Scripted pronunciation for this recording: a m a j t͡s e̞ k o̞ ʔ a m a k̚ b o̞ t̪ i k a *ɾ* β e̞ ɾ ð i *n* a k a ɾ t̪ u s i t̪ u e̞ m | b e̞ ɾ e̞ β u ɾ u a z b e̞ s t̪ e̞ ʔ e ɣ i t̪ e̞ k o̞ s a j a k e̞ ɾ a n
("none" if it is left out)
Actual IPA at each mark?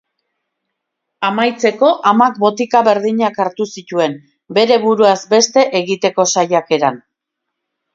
none, ɲ

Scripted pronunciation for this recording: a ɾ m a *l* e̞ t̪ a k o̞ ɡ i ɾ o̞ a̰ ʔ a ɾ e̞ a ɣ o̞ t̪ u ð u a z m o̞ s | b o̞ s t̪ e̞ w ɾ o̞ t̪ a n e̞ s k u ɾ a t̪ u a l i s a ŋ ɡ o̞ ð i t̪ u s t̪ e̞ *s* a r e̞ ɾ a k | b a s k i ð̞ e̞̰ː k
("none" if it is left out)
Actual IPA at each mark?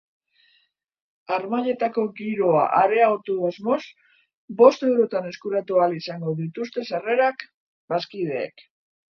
ʎ, s

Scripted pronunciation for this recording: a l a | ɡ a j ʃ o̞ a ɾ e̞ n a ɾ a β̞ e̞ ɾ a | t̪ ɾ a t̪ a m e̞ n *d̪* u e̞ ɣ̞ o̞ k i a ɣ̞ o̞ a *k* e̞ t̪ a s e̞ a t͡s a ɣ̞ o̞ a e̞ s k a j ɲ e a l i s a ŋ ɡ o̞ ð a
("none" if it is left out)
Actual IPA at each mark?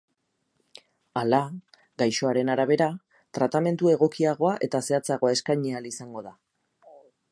t̪, ʔ

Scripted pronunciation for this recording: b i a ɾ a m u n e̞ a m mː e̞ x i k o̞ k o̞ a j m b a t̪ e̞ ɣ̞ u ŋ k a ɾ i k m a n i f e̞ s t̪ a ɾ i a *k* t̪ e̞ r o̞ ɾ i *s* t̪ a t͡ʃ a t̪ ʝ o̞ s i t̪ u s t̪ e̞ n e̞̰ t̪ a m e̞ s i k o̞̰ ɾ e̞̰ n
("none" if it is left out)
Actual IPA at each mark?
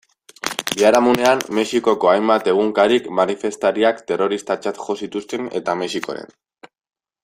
k, s

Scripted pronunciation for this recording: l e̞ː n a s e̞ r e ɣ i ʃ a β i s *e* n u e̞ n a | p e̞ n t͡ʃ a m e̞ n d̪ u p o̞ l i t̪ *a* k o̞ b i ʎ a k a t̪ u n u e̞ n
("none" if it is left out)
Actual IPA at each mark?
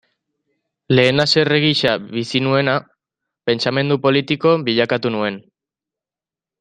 i, i

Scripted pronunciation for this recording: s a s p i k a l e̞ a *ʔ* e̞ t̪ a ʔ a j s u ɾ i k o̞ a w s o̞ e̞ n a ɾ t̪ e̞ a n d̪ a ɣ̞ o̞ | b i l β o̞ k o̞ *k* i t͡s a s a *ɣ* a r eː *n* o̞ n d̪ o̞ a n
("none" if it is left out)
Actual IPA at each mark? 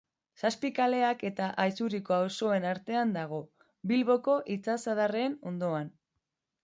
k, ʔ, ð, n

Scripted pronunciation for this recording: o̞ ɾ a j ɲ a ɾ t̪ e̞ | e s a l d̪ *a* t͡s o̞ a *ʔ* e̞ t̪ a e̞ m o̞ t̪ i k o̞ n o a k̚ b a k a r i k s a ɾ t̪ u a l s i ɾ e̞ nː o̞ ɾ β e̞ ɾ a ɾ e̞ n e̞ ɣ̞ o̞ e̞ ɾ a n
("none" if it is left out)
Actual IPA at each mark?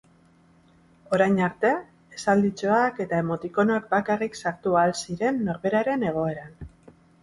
i, k

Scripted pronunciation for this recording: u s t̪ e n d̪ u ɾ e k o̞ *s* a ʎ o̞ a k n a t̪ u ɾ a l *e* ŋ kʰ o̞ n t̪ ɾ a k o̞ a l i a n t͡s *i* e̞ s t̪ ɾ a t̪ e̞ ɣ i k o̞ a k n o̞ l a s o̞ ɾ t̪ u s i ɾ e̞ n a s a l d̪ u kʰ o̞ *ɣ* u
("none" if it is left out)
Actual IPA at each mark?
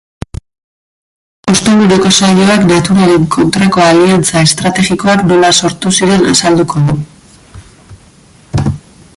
s, e, a, ð

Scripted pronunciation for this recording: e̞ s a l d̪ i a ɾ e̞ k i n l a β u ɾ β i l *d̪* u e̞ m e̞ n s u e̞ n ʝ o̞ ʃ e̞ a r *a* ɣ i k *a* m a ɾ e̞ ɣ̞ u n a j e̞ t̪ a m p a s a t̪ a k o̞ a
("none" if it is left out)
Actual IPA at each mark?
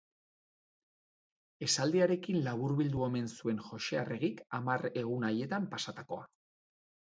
d̪, e, a

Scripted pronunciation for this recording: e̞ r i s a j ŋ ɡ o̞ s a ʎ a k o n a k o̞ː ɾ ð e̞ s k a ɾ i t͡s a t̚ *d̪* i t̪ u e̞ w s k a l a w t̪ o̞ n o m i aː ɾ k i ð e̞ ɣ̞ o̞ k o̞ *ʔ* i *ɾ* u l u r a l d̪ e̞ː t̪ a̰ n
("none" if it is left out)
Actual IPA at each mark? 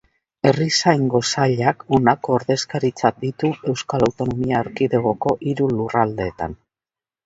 d̪, ʔ, ɾ

